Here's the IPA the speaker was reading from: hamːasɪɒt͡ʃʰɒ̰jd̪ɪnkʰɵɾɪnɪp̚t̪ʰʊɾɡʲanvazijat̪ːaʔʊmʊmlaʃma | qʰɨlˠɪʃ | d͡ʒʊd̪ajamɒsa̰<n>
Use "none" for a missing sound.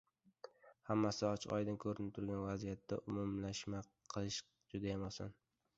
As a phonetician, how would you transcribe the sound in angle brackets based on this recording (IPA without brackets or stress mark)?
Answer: n